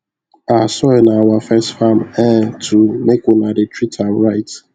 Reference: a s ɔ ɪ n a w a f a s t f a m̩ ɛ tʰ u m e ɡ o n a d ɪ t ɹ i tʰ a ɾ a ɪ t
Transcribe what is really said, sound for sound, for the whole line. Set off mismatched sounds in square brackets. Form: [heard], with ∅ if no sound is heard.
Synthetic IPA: a s ɔ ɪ n a w a f [ɛ] s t f a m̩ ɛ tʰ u m e [k] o n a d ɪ t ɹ i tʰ a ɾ a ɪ t